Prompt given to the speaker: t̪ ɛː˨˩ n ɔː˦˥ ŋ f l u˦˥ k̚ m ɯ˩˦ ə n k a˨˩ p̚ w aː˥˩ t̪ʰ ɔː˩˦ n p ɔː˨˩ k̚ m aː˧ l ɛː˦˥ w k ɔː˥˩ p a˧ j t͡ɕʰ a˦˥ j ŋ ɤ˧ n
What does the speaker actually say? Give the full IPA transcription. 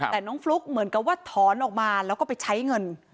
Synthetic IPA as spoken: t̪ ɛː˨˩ n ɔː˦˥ ŋ f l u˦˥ k̚ m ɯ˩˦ ə n k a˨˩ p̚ w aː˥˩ t̪ʰ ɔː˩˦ n ʔ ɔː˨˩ k̚ m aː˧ l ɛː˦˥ w k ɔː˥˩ p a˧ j t͡ɕʰ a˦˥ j ŋ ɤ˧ n

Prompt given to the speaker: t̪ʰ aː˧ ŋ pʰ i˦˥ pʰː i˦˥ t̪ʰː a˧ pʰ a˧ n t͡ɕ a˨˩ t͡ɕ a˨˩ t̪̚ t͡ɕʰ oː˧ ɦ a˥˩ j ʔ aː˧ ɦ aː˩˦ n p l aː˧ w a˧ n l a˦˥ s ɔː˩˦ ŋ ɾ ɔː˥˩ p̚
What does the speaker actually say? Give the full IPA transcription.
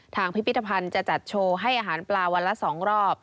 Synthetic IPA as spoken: t̪ʰ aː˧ ŋ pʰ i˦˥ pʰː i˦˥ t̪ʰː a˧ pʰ a˧ n t͡ɕ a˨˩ t͡ɕ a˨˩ t̪̚ t͡ɕʰ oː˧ ɦ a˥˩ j ʔ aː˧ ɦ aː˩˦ n p l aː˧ w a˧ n l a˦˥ s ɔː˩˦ ŋ ɾ ɔː˥˩ p̚

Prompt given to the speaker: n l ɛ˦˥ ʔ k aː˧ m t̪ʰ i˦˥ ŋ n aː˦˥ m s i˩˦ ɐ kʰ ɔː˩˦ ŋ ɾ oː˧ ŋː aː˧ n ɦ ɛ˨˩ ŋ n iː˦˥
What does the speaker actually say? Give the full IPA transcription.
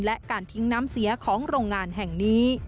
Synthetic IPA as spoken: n l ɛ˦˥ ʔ k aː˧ n t̪ʰ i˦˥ ŋ n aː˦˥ m s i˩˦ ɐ kʰ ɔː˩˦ ŋ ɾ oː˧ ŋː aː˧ n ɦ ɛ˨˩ ŋ n iː˦˥

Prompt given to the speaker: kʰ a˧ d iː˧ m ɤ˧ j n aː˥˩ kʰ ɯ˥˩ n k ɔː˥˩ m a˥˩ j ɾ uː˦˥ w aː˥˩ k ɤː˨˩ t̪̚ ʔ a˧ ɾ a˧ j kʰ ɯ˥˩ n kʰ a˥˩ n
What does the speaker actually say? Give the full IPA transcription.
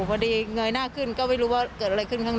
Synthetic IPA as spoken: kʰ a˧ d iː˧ ŋ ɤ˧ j n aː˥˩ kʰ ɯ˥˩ n k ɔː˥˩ m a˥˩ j ɾ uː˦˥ w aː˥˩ k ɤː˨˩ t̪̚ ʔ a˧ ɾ a˧ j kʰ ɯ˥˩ n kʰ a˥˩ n

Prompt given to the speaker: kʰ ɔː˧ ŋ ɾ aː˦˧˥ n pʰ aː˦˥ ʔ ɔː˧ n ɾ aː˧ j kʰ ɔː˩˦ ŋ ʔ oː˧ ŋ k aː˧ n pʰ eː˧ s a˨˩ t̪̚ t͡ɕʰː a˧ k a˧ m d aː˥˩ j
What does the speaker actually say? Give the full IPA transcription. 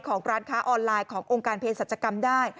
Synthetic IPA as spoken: kʰ ɔː˩˦ ŋ ɾ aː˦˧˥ n kʰ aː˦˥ ʔ ɔː˧ n l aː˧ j kʰ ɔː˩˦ ŋ ʔ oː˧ ŋ k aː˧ n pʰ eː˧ s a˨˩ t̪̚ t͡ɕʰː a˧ k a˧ m d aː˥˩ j

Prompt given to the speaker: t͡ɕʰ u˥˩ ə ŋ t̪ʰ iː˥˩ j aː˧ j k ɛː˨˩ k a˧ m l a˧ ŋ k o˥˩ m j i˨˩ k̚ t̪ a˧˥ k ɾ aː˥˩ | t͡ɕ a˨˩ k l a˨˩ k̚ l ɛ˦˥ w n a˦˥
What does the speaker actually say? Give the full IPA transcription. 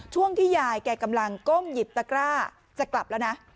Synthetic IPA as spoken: t͡ɕʰ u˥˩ ə ŋ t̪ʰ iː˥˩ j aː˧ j k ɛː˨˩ k a˧ m l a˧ ŋ k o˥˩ m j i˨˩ p̚ t̪ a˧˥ k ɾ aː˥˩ | t͡ɕ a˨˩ k l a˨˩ p̚ l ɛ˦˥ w n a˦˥

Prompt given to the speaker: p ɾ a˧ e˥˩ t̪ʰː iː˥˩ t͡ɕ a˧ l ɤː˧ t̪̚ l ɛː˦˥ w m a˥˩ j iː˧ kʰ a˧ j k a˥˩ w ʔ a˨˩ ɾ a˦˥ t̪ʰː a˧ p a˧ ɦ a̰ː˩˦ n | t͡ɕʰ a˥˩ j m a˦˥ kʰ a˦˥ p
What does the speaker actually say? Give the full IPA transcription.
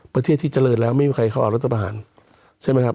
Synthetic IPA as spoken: p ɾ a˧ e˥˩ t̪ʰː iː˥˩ t͡ɕ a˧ l ɤː˧ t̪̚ l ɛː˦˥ w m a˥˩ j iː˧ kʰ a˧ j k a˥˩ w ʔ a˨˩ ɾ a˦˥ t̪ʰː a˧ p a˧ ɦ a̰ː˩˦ n | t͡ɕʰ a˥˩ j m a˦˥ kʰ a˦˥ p

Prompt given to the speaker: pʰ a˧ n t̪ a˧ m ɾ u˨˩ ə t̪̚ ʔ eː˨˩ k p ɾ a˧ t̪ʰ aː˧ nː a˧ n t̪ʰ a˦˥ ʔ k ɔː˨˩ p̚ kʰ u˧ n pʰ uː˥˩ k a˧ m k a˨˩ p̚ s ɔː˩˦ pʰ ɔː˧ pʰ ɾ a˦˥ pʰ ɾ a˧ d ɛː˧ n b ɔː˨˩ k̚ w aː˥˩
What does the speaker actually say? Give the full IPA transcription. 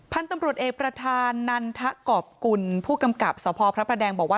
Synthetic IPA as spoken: pʰ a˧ n t̪ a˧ m ɾ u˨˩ ə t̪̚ ʔ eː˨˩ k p ɾ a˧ t̪ʰ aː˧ nː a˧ n t̪ʰ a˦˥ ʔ k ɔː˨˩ p̚ k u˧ n pʰ uː˥˩ k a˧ m k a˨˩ p̚ s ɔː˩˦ pʰ ɔː˧ pʰ ɾ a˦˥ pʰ ɾ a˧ d ɛː˧ ŋ b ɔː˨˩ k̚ w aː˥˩

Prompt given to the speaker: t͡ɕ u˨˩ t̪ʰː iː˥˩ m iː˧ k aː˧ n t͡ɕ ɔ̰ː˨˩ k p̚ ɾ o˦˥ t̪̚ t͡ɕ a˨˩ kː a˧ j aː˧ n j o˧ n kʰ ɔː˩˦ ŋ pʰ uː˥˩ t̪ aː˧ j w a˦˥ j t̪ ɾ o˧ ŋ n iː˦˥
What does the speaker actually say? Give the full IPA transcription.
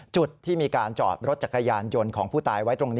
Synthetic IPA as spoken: t͡ɕ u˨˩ t̪ʰː iː˥˩ m iː˧ k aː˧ n t͡ɕ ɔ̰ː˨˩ p̚ ɾ o˦˥ t̪̚ t͡ɕ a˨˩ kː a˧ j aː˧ n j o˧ n kʰ ɔː˩˦ ŋ pʰ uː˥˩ t̪ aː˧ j w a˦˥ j t̪ ɾ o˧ ŋ n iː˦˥

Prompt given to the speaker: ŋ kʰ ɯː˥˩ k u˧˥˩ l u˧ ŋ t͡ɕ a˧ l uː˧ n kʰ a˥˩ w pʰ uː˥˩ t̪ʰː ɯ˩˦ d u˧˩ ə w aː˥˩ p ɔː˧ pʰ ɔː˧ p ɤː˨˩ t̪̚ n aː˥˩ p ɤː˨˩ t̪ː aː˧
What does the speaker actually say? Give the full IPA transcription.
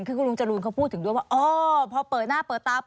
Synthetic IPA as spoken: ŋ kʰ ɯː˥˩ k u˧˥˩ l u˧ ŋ t͡ɕ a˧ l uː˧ n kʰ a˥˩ w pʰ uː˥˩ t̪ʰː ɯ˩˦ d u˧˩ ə w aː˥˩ ʔ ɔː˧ pʰ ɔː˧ p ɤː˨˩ t̪̚ n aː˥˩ p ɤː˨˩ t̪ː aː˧

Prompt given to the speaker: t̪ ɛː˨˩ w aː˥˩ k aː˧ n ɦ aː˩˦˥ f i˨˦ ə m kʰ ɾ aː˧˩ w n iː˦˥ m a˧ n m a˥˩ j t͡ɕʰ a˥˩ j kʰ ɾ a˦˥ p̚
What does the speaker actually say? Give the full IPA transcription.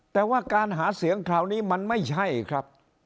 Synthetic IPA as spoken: t̪ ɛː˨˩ w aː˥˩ k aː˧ n ɦ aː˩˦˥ s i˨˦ ə ŋ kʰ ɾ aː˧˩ w n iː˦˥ m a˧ n m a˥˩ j t͡ɕʰ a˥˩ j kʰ ɾ a˦˥ p̚

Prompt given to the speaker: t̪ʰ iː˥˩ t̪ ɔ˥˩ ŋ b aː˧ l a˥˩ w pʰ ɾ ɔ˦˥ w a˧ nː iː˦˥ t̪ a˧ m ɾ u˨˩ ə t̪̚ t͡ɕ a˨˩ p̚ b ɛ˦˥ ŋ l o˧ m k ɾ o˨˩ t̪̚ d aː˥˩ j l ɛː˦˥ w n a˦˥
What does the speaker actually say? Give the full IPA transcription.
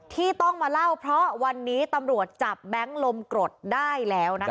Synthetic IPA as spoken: t̪ʰ iː˥˩ t̪ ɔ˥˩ ŋ m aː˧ l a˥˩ w pʰ ɾ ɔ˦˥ w a˧ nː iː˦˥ t̪ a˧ m ɾ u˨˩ ə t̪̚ t͡ɕ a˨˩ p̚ b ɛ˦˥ ŋ l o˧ m k ɾ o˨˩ t̪̚ d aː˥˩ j l ɛː˦˥ w n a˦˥

